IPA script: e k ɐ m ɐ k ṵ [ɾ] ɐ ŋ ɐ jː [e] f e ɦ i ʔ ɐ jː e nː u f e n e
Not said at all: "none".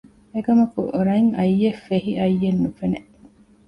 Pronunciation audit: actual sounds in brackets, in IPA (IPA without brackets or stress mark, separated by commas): ɾ, e